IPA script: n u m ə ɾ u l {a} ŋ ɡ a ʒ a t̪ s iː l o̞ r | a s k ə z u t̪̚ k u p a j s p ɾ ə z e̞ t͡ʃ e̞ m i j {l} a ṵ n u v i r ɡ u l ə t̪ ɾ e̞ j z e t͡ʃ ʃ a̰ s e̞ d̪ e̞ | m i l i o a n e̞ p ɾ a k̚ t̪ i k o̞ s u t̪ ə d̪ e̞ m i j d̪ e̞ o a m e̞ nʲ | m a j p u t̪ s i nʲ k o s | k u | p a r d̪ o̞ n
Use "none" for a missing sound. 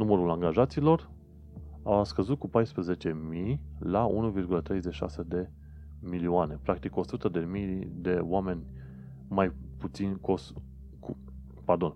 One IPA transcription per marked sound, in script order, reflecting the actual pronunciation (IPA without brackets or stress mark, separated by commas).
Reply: a, l